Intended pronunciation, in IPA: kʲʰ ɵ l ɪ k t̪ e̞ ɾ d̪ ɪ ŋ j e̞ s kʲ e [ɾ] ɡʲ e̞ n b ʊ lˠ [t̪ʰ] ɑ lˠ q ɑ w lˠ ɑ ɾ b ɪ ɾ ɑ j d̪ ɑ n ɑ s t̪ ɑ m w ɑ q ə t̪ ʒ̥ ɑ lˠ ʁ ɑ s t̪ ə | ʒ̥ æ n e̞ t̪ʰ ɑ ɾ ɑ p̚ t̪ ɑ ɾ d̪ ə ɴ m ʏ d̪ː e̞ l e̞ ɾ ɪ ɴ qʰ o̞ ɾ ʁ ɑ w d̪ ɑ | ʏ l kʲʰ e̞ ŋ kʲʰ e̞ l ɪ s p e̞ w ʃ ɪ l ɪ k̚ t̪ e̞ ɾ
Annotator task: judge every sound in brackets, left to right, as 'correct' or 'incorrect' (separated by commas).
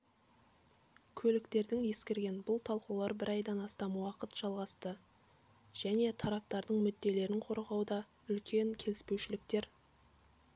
correct, correct